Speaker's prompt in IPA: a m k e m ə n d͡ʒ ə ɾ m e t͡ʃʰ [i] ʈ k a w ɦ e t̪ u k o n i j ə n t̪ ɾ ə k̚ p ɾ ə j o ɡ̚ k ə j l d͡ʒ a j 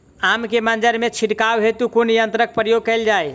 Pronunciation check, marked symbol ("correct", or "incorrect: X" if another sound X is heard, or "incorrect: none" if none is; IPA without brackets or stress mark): correct